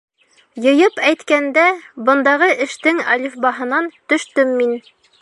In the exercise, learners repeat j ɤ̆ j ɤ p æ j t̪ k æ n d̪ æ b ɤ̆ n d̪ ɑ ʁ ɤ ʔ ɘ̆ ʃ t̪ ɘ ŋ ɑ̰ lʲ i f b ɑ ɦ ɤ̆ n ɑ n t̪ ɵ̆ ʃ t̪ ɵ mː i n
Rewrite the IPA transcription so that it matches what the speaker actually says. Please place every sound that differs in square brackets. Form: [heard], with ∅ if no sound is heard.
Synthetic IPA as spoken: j ɤ̆ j ɤ p æ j t̪ k æ n d̪ æ b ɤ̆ n d̪ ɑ ʁ ɤ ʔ ɘ̆ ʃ t̪ ɘ ŋ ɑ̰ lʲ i f b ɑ ɦ ɤ̆ n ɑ n t̪ ɵ̆ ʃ t̪ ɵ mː i n

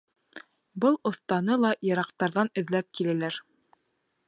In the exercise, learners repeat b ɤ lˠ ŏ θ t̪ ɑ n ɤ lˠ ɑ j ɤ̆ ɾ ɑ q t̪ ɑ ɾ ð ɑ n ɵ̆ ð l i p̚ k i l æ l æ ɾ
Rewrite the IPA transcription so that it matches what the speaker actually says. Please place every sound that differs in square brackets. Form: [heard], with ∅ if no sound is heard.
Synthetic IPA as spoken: b ɤ lˠ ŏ θ t̪ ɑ n ɤ lˠ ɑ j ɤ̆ ɾ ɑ q t̪ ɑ ɾ ð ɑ n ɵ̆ ð l [æ] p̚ k i l æ l æ ɾ

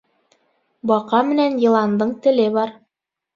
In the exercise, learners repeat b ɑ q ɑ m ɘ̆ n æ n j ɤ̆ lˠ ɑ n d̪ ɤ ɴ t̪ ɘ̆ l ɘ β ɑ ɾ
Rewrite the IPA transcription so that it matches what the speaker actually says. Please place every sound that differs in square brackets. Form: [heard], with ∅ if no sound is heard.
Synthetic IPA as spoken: b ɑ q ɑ m ɘ̆ n æ n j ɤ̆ lˠ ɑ n d̪ ɤ ɴ t̪ ɘ̆ l ɘ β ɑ ɾ

